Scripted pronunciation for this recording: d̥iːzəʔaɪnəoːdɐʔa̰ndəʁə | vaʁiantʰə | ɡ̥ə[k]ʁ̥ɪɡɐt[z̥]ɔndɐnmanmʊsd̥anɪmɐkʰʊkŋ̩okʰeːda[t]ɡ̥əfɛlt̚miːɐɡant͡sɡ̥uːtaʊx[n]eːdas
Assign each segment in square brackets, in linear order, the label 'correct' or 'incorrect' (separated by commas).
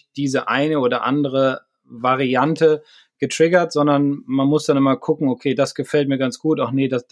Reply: incorrect, correct, incorrect, correct